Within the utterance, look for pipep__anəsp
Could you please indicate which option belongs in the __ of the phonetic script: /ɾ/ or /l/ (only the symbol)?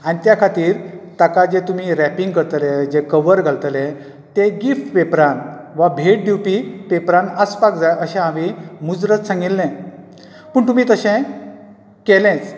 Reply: ɾ